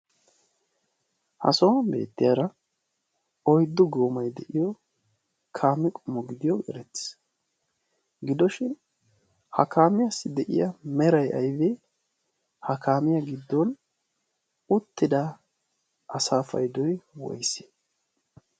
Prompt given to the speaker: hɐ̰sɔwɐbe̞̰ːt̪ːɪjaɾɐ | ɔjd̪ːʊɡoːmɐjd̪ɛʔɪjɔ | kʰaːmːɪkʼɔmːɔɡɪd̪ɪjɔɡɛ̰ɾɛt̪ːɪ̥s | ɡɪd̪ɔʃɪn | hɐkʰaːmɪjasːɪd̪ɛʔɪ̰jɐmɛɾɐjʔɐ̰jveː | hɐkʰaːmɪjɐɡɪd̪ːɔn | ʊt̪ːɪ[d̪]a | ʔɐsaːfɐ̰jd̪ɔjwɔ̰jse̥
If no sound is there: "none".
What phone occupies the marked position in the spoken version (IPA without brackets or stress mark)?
d̪